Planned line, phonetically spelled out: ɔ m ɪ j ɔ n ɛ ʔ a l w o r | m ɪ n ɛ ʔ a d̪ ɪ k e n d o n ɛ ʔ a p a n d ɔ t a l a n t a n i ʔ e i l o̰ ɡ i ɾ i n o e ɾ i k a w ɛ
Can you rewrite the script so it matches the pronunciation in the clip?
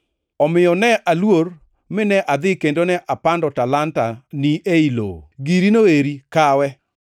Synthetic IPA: ɔ m ɪ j ɔ n ɛ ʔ a l w o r | m ɪ n ɛ ʔ a d̪ ɪ k e n d o n ɛ ʔ a p a n d ɔ t a l a n t a n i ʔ e i l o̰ ɡ i ɾ i n o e ɾ i k a w ɛ